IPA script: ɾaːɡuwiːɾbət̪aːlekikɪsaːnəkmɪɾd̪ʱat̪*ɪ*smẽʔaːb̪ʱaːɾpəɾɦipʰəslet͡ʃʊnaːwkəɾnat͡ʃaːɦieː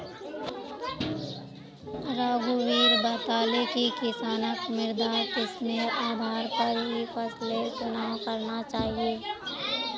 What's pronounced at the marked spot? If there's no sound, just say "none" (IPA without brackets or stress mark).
ɪ